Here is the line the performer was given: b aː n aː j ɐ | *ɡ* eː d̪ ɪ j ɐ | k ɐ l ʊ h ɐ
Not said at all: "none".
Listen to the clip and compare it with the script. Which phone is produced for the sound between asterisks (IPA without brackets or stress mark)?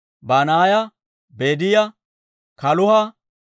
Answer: b